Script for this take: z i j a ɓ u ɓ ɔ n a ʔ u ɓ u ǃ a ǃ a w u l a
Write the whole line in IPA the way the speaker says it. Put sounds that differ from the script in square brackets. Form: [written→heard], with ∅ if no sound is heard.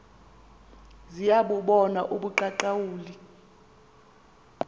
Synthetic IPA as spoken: z i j a ɓ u ɓ ɔ n a ʔ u ɓ u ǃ a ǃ a w [u→uː] l [a→i]